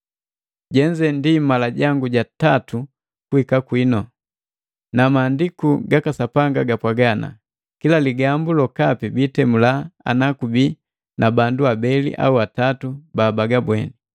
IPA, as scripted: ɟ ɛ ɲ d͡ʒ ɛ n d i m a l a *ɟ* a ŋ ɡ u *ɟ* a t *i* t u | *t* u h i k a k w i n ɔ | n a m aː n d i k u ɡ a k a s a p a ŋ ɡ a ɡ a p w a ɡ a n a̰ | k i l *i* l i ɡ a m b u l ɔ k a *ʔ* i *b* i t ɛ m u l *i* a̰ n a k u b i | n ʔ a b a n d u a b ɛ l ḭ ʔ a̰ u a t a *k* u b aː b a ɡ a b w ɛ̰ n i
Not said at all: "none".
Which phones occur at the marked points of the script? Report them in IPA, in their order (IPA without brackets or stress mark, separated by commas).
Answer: ɟ, ɟ, a, k, a, p, b, a, t